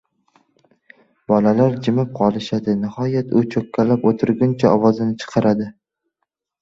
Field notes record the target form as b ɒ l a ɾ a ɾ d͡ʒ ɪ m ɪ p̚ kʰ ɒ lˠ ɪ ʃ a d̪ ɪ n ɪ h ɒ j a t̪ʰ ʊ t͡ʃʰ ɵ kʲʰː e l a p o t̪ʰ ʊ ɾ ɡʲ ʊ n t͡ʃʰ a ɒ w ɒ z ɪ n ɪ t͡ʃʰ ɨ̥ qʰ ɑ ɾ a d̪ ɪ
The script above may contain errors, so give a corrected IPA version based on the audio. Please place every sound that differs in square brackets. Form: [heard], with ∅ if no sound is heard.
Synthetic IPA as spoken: b ɒ l a [l] a ɾ d͡ʒ ɪ m ɪ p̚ [qʰ] ɒ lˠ ɪ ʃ a d̪ ɪ n ɪ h ɒ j a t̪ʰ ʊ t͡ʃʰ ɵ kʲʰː [a] l a p o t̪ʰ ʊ ɾ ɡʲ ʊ n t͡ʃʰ a ɒ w ɒ z ɪ n ɪ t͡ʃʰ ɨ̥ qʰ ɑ ɾ a d̪ ɪ